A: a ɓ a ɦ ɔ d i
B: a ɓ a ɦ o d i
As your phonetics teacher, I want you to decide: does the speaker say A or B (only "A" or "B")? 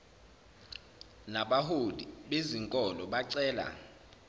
B